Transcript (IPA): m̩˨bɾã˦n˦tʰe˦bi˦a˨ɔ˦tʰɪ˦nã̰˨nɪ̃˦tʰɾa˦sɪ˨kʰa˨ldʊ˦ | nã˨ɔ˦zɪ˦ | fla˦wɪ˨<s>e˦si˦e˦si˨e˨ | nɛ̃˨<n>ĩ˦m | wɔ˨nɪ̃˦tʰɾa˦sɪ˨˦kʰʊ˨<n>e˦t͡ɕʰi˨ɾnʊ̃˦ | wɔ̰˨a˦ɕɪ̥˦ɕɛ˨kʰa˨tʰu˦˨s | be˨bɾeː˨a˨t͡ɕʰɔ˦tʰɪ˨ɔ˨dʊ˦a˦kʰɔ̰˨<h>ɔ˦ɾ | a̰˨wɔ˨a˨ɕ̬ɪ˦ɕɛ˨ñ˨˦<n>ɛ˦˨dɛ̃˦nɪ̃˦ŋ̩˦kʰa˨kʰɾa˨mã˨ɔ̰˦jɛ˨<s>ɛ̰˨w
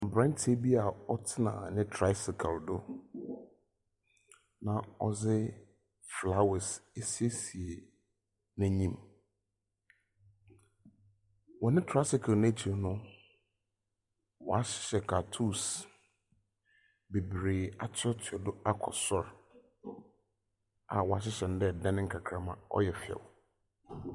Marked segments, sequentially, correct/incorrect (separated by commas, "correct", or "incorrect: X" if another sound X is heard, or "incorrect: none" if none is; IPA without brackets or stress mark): correct, incorrect: ɲ, correct, incorrect: s, incorrect: d, incorrect: f